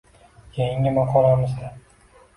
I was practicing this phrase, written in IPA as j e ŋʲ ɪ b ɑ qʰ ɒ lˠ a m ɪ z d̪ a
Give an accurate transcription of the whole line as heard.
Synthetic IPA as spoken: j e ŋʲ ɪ m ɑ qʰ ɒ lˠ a m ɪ z d̪ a

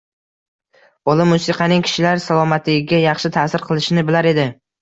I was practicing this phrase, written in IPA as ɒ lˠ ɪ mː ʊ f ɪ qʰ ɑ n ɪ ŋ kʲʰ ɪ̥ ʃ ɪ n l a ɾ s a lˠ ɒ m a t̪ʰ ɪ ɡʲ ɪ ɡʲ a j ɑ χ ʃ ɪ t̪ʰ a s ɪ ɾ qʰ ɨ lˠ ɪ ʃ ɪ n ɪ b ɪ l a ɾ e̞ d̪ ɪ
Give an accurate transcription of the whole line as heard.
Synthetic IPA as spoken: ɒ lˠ ɪ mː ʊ s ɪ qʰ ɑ n ɪ ŋ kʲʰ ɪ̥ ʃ ɪ l a ɾ s a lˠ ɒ m a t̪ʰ ɪ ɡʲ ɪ ɡʲ a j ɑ χ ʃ ɪ t̪ʰ a s ɪ ɾ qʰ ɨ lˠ ɪ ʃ ɪ n ɪ b ɪ l a ɾ e̞ d̪ ɪ

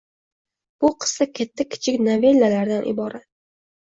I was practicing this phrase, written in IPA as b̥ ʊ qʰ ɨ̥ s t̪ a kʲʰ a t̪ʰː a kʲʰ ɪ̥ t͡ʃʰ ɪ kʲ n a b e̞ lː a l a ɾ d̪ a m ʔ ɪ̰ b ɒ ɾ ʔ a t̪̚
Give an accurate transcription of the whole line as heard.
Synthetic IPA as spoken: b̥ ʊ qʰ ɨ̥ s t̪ a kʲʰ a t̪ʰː a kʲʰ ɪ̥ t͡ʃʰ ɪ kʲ n a v e̞ lː a l a ɾ d̪ a n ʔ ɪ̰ b ɒ ɾ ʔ a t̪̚

